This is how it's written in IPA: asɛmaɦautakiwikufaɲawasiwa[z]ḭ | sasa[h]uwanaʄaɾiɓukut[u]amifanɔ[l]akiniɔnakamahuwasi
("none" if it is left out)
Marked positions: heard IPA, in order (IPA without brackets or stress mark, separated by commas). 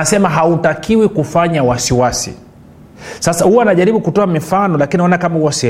s, h, ɔ, l